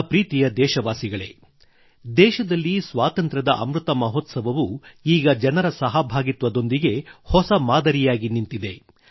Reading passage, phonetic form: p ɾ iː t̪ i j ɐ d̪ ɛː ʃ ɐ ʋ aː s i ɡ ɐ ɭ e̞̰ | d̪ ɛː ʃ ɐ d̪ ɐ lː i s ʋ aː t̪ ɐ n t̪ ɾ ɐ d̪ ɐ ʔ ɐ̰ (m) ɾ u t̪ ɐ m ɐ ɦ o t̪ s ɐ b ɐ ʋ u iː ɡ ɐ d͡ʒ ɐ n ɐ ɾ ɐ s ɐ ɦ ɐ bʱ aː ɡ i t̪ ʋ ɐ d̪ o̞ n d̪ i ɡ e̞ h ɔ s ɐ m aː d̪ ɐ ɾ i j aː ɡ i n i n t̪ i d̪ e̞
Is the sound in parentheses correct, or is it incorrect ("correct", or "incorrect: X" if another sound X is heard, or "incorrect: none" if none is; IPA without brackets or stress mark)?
correct